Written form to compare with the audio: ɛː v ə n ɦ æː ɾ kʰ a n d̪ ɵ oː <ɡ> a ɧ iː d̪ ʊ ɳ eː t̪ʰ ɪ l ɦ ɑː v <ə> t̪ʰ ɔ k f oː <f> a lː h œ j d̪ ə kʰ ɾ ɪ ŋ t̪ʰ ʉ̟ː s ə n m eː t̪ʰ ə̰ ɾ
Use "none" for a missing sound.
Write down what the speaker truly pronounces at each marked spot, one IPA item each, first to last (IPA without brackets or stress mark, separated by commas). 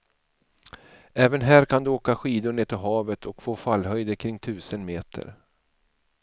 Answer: k, ə, f